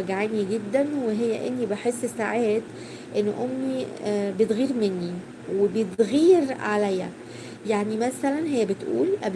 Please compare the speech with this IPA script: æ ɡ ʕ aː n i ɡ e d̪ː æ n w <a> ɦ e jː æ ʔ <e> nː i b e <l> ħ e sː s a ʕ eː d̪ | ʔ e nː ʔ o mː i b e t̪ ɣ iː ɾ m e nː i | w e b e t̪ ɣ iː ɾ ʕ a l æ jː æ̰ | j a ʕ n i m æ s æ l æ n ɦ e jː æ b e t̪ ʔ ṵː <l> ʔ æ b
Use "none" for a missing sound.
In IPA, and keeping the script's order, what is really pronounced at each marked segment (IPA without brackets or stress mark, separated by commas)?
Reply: e, e, none, l